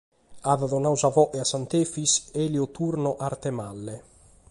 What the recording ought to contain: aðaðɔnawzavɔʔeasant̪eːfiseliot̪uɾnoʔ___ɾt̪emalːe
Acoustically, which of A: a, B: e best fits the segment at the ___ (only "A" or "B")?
A